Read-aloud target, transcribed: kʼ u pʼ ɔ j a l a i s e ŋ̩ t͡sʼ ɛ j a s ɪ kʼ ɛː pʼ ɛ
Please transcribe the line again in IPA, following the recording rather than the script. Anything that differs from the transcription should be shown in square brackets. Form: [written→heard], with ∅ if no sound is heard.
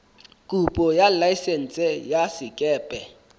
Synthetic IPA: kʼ u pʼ ɔ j a l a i s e [ŋ̩→n̩] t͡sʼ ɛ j a s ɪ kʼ ɛː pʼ ɛ